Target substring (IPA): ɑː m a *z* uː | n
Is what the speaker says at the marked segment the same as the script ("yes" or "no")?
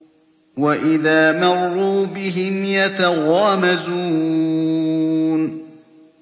yes